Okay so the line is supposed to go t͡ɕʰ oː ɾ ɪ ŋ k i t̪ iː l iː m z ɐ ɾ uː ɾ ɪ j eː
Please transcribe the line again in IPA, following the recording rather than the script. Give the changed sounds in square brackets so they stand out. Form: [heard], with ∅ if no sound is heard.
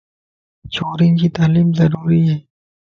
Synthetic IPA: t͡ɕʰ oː ɾ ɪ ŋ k i t̪ [aː] l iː m z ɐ ɾ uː ɾ [i] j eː